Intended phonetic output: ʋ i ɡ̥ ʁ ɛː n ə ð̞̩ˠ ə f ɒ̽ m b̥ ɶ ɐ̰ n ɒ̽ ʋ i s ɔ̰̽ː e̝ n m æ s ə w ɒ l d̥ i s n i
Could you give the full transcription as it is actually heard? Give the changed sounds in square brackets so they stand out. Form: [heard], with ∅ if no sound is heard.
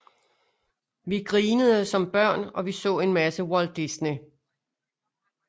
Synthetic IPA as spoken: ʋ i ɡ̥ ʁ [iː] n ə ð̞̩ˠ ə [s] ɒ̽ m b̥ ɶ ɐ̰ n ɒ̽ ʋ i s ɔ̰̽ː e̝ n m æ s ə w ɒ l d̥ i s n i